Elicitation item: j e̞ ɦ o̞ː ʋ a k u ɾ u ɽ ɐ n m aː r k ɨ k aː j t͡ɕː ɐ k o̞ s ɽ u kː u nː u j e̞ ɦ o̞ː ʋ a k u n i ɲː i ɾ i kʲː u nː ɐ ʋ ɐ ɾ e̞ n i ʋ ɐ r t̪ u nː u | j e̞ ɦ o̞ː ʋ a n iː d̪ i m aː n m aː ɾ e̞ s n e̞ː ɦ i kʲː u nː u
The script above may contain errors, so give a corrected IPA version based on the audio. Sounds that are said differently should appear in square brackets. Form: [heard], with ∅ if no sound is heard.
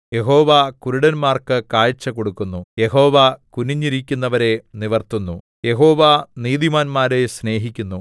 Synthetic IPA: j e̞ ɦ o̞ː ʋ a k u ɾ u ɽ ɐ n m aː r k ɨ k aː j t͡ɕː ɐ k o̞ [∅] ɽ u kː u nː u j e̞ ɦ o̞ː ʋ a k u n i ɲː i ɾ i kʲː u nː ɐ ʋ ɐ ɾ e̞ n i ʋ ɐ r t̪ u nː u | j e̞ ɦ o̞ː ʋ a n iː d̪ i m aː n m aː ɾ e̞ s n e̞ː ɦ i kʲː u nː u